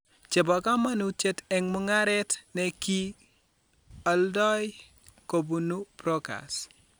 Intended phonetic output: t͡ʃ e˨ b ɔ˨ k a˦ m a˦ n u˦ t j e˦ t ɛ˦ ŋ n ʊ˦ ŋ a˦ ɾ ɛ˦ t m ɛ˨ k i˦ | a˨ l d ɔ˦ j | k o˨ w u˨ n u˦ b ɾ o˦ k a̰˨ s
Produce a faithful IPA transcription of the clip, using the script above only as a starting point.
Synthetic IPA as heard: t͡ʃ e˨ b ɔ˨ k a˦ m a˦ n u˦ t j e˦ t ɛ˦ ŋ m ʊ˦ ŋ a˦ ɾ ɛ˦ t n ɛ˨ k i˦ | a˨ l d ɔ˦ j | k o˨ b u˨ n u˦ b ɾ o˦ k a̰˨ s